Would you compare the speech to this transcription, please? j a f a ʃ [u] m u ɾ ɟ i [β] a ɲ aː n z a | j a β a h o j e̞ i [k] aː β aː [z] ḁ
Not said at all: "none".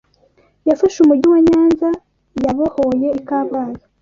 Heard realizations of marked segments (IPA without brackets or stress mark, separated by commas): u, w, k, z